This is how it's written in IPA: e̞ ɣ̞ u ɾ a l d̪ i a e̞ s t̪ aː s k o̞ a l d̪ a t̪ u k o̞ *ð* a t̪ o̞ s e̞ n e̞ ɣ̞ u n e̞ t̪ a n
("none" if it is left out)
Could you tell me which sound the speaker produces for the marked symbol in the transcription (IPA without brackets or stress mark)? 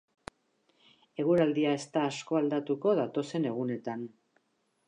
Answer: ð